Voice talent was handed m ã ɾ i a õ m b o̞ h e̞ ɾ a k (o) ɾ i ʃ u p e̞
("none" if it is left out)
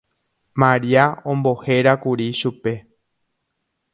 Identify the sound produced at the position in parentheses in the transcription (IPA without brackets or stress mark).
u